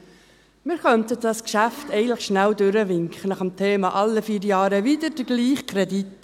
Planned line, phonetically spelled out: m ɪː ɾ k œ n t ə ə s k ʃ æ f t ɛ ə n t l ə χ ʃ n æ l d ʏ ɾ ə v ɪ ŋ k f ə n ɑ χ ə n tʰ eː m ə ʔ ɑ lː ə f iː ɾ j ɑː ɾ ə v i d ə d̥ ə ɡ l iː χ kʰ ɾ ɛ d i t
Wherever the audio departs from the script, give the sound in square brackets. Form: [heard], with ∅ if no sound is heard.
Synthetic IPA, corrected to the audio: m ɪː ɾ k œ n t ə [ɑ] s k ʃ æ f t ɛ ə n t l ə χ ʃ n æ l d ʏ ɾ ə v ɪ ŋ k [χ] ə n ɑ χ ə [m] tʰ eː m [ɑ] ʔ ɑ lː ə f iː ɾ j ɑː ɾ ə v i d ə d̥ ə ɡ l iː χ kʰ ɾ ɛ d i t

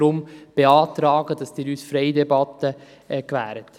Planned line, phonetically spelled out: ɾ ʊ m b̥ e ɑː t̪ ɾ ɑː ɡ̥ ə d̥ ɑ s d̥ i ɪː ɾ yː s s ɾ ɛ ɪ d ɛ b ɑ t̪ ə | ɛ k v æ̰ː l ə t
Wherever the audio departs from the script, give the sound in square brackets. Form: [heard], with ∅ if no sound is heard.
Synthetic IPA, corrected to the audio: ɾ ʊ m b̥ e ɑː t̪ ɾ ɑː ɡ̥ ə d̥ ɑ s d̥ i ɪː ɾ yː s [f] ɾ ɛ ɪ d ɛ b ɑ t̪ ə | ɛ k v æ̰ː [ɾ] ə t

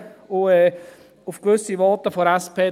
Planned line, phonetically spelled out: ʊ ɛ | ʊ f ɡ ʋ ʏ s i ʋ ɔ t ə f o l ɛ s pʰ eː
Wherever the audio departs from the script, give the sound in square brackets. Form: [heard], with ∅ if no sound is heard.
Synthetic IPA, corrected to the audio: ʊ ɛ | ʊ f [k] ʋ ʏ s i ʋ ɔ t ə f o [ɾ] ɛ s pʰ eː

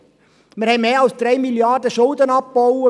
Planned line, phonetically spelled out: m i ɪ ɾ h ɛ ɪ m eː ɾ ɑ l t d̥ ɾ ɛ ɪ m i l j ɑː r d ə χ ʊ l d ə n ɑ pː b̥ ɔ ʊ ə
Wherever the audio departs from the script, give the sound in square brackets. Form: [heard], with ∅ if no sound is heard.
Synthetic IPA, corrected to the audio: m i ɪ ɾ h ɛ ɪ m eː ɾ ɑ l [s] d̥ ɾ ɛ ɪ m i l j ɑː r d ə [ʃ] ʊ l d ə n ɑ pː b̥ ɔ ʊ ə

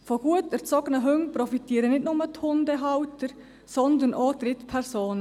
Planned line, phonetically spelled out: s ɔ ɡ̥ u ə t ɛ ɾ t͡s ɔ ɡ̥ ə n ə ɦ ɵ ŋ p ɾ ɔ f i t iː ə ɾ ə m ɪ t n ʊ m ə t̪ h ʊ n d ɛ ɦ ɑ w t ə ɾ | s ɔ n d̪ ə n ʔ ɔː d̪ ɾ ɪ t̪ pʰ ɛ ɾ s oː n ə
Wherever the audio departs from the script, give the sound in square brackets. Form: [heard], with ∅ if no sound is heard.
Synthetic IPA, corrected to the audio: [f] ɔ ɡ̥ u ə t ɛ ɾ t͡s ɔ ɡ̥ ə n ə ɦ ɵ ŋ p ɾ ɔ f i t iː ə ɾ ə [n] ɪ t n ʊ m ə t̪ h ʊ n d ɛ ɦ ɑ w t ə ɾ | s ɔ n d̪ ə n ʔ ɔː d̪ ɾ ɪ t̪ pʰ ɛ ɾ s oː n ə

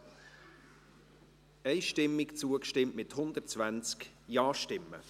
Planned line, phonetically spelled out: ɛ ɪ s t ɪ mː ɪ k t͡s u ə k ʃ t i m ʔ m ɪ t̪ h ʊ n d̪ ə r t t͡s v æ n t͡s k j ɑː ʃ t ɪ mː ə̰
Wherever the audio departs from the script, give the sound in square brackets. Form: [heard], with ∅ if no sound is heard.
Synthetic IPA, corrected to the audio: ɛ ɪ [ʃ] t ɪ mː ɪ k t͡s u ə k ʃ t [ɪ] m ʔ m ɪ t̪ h ʊ n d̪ ə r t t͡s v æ n t͡s k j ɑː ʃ t ɪ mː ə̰

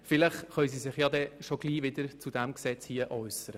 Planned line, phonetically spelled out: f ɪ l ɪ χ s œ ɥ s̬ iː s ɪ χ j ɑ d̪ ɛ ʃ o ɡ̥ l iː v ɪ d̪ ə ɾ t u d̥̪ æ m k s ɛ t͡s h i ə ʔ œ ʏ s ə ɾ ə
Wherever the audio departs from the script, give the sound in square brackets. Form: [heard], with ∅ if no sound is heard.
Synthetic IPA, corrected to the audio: f ɪ l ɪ χ [χ] œ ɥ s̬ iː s ɪ χ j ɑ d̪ ɛ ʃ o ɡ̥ l iː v ɪ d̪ ə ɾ [t͡s] u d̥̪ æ m k s ɛ t͡s h i ə ʔ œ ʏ s ə ɾ ə

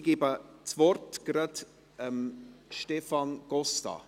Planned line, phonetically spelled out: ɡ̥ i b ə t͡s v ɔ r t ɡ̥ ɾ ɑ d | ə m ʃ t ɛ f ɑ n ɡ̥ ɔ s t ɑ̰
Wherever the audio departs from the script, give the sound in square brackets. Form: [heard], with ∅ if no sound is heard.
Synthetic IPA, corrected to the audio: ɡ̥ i b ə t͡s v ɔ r t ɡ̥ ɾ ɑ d | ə m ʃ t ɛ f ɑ n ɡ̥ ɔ s t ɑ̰

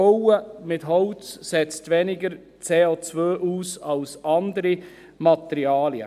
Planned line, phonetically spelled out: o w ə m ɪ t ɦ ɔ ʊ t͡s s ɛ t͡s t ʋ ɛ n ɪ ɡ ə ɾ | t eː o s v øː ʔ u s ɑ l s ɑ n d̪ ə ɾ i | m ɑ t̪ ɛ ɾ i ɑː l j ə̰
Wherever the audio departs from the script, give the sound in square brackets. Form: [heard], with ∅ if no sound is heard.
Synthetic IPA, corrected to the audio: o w ə m ɪ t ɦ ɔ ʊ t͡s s ɛ t͡s t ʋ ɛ n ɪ ɡ ə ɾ | [t͡s] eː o [t͡s] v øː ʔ [uː] s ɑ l s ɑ n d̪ ə ɾ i | m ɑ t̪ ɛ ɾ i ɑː l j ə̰

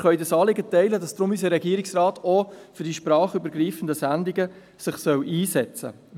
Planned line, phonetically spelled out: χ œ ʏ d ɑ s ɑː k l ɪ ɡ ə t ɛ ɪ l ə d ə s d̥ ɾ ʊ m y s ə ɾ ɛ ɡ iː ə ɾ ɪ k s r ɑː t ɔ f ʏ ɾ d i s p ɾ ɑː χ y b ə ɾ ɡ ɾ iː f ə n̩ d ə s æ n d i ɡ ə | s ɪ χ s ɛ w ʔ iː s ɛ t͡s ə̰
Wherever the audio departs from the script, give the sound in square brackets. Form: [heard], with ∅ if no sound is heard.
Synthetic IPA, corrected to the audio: χ œ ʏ d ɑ s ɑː [∅] l ɪ ɡ ə t ɛ ɪ l ə d [ɑ] s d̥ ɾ ʊ m y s ə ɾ ɛ ɡ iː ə ɾ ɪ k s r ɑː t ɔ f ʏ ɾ d i [ʃ] p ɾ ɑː χ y b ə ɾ ɡ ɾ iː f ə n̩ d ə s æ n d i ɡ ə | s ɪ χ s [œ] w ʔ iː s ɛ t͡s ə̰

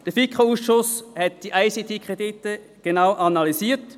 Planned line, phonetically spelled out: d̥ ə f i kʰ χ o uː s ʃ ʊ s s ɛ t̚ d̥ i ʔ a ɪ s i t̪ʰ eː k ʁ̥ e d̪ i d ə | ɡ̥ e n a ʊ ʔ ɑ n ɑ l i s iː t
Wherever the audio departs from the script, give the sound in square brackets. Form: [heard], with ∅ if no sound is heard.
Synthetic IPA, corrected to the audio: d̥ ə f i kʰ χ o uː s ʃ ʊ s [h] ɛ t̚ d̥ i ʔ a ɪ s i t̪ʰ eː k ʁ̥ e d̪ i [t] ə | ɡ̥ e n a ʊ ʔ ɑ n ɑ l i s iː t

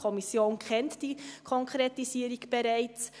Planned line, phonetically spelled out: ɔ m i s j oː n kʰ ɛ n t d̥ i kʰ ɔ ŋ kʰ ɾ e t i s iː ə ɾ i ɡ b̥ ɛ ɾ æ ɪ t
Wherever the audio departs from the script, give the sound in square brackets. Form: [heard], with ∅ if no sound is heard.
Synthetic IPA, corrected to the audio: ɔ m i s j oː n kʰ ɛ n t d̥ i kʰ ɔ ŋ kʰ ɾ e t i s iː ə ɾ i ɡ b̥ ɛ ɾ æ ɪ [t͡s]

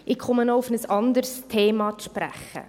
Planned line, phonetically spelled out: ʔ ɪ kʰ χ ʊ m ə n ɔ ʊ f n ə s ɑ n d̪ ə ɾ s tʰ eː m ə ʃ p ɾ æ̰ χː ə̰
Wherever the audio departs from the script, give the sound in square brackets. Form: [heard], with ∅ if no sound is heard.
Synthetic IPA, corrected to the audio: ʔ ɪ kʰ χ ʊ m ə n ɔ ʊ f n ə s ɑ n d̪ ə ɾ s tʰ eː m [ɑ] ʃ p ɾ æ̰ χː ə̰

